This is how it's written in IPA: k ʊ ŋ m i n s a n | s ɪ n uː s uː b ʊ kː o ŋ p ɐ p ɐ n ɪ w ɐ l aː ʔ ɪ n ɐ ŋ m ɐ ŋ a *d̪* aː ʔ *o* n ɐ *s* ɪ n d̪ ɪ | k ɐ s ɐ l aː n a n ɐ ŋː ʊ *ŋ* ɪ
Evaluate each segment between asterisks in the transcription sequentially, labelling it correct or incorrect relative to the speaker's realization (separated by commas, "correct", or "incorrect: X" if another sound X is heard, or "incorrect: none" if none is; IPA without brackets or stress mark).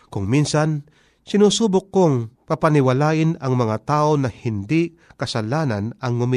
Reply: incorrect: t̪, correct, incorrect: h, incorrect: m